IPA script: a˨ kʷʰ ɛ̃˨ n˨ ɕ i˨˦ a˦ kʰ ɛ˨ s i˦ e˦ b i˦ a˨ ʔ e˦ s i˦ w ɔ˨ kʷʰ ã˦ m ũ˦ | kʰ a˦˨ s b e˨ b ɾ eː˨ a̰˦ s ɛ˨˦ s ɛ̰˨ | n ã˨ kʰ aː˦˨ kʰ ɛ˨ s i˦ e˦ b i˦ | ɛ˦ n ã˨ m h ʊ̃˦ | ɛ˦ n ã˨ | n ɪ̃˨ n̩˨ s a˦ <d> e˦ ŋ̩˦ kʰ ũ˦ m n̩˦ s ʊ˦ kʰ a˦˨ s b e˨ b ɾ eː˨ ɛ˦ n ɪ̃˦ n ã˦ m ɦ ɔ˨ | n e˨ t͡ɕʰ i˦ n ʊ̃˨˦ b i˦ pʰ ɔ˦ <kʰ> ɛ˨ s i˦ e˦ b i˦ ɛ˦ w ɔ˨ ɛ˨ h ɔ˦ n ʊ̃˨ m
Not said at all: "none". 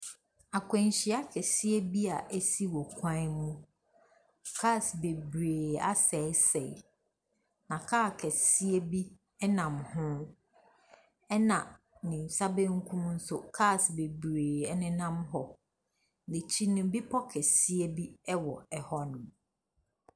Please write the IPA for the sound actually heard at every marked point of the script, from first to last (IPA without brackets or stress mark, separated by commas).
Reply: b, kʰ